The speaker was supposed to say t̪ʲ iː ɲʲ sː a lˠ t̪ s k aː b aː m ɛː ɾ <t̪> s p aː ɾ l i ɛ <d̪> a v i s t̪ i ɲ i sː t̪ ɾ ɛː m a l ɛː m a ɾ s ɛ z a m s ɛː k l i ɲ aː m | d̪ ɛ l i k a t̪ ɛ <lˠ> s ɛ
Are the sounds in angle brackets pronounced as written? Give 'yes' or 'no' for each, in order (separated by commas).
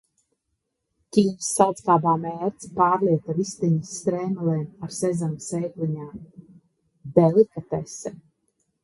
yes, no, no